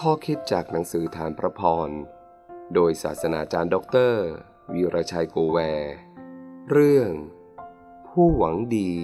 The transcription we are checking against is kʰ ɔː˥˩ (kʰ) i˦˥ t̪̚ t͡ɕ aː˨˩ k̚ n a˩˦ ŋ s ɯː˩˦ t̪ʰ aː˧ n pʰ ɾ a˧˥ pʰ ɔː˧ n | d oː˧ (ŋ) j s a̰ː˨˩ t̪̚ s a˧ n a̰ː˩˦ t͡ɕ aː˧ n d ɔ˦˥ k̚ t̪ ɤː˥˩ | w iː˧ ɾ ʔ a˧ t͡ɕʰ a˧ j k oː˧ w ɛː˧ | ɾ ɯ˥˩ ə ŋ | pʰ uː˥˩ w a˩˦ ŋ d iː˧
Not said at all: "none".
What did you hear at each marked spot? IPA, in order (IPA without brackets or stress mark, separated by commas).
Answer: kʰ, none